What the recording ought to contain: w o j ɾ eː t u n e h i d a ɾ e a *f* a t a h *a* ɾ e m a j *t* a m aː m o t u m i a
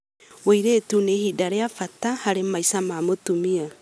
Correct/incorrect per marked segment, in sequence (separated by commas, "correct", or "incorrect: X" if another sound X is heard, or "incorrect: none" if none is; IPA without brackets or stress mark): correct, correct, incorrect: s